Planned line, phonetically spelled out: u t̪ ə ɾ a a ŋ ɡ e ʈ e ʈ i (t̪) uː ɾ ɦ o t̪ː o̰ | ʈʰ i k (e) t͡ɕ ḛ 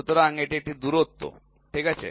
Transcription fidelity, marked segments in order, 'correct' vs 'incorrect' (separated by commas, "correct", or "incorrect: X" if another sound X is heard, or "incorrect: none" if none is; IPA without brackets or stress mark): incorrect: d̪, incorrect: a